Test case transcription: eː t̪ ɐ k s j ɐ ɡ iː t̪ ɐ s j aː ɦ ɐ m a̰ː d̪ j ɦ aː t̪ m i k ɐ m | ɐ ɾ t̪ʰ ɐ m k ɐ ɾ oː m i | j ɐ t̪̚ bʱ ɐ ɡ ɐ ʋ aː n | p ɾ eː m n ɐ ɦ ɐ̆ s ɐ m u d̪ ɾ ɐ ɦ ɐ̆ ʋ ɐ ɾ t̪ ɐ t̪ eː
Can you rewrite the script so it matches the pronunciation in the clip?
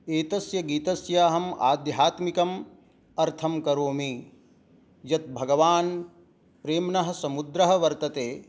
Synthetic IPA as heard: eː t̪ ɐ s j ɐ ɡ iː t̪ ɐ s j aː ɦ ɐ m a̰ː d̪ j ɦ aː t̪ m i k ɐ m | ɐ ɾ t̪ʰ ɐ m k ɐ ɾ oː m i | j ɐ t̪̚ bʱ ɐ ɡ ɐ ʋ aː n | p ɾ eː m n ɐ ɦ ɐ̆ s ɐ m u d̪ ɾ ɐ ɦ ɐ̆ ʋ ɐ ɾ t̪ ɐ t̪ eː